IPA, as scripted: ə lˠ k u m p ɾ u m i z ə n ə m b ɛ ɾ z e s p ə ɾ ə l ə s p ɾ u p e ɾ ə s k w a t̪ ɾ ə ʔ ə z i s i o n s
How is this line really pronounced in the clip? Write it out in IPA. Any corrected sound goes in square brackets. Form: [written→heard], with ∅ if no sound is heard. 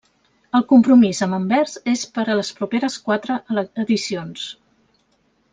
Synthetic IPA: ə lˠ k u m p ɾ u m i z ə [n→m] ə m b ɛ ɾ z e s p ə ɾ ə l ə s p ɾ u p e ɾ ə s k w a t̪ ɾ ə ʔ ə [z→ð] i s i o n s